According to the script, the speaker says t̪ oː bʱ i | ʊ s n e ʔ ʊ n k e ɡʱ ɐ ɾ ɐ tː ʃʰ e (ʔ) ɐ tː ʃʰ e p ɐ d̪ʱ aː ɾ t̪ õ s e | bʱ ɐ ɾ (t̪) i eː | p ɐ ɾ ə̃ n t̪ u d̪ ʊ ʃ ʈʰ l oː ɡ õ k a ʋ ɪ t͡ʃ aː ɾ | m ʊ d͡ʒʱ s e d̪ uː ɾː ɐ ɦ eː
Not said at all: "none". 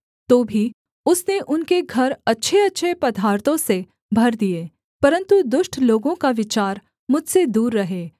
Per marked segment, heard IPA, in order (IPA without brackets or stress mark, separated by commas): none, d̪